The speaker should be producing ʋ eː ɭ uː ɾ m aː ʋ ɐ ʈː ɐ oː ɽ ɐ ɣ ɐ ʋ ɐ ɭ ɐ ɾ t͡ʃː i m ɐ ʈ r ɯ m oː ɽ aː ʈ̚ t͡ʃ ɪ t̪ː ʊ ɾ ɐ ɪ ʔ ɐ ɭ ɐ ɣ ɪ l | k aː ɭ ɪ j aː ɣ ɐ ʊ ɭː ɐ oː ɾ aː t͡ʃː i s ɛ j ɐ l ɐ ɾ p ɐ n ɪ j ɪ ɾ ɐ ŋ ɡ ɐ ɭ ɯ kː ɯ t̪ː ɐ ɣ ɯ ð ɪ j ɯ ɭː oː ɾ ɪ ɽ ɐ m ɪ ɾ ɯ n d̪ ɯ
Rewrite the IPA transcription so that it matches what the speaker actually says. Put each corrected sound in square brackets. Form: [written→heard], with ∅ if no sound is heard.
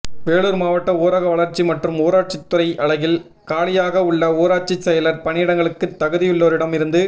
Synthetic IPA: ʋ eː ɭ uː ɾ m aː ʋ ɐ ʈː ɐ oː [ɽ→ɾ] ɐ ɣ ɐ ʋ ɐ ɭ ɐ ɾ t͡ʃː i m ɐ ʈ r ɯ m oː [ɽ→ɾ] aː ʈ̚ t͡ʃ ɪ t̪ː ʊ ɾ ɐ ɪ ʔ ɐ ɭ ɐ ɣ ɪ l | k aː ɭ ɪ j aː ɣ ɐ ʊ ɭː ɐ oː ɾ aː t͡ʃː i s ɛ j ɐ l ɐ ɾ p ɐ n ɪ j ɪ [ɾ→ɽ] ɐ ŋ ɡ ɐ ɭ ɯ kː ɯ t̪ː ɐ ɣ ɯ ð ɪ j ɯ ɭː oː ɾ ɪ ɽ ɐ m ɪ ɾ ɯ n d̪ ɯ